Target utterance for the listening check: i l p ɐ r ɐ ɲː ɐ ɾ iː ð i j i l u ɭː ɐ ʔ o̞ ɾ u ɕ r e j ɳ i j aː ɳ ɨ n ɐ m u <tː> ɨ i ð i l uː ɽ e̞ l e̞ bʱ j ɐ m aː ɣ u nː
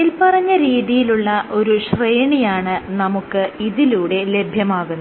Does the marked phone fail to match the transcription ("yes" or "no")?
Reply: yes